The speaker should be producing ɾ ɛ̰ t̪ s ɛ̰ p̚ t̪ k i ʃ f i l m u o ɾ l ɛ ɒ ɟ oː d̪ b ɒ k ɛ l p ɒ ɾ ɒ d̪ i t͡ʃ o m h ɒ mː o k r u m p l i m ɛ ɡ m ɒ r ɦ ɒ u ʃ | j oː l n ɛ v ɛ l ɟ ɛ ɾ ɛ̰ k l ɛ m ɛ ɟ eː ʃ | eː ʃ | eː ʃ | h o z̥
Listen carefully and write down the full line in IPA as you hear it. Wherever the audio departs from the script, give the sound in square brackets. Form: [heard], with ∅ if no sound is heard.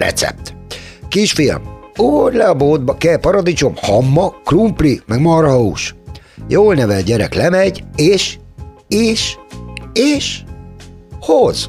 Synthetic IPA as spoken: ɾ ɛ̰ t̪ s ɛ̰ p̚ t̪ k i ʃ f i l m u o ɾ l ɛ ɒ [b] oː d̪ b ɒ k ɛ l p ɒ ɾ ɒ d̪ i t͡ʃ o m h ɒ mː [ɒ] k r u m p l i m ɛ ɡ m ɒ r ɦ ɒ u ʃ | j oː l n ɛ v ɛ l ɟ ɛ ɾ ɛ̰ k l ɛ m ɛ ɟ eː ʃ | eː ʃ | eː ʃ | h o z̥